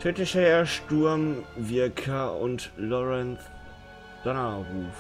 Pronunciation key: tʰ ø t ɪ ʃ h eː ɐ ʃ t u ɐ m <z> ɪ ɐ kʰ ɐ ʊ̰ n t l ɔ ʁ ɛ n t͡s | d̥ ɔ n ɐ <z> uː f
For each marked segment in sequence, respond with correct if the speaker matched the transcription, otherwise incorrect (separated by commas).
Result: incorrect, incorrect